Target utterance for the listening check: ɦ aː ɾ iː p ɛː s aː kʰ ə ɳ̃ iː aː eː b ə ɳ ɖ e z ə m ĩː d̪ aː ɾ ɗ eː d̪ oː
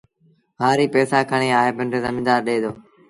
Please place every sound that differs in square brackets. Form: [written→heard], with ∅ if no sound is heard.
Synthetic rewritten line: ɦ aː ɾ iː p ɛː s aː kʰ ə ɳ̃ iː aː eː b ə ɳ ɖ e z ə m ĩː d̪ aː ɾ ɗ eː d̪ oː